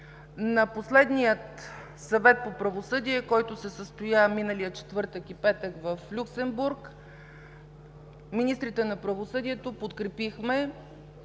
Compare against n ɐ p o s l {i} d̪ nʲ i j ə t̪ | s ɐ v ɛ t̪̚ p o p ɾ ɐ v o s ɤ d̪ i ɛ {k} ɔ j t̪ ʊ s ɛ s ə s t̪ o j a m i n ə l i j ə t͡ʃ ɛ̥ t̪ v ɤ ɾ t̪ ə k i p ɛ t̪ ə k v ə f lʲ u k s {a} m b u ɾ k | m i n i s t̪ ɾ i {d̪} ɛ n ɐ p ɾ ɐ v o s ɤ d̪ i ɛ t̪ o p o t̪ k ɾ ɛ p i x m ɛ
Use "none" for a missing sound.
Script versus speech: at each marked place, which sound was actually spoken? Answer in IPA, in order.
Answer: ɛ, k, ɛ, t̪

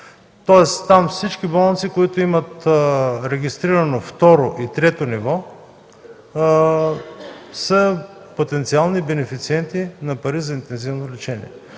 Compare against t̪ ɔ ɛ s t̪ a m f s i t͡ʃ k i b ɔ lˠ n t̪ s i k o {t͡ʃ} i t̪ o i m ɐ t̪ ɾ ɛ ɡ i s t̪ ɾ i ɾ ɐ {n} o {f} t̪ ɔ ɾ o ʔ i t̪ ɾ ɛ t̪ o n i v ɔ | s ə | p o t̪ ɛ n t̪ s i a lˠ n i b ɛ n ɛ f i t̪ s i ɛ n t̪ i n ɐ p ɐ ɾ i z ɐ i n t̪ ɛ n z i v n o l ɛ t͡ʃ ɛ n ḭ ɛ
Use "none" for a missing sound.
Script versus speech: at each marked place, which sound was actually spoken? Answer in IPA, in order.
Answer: none, n, f

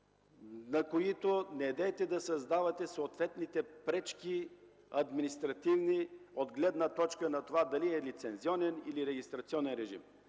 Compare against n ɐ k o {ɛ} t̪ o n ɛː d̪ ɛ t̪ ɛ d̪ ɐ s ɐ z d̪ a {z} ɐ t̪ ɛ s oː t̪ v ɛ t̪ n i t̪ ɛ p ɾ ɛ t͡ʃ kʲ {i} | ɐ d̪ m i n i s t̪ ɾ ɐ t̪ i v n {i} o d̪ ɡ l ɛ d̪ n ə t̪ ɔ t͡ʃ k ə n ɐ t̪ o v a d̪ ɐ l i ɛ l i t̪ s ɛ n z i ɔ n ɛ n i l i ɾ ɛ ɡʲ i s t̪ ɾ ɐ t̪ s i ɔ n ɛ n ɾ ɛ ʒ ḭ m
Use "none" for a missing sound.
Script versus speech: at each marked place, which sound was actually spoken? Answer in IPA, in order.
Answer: i, v, i, i

